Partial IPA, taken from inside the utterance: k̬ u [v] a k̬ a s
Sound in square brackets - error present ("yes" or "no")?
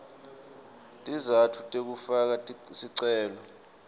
yes